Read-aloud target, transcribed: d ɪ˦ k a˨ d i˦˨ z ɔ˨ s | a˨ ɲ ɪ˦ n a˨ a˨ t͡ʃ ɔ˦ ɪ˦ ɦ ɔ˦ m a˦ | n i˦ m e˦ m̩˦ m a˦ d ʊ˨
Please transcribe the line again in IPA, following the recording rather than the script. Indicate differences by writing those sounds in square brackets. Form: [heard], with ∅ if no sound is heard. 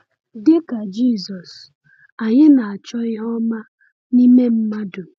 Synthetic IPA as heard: d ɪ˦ k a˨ [d͡ʒ] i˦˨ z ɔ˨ s | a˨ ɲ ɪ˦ n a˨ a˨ t͡ʃ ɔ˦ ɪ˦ ɦ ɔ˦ m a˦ | n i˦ m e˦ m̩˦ m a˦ d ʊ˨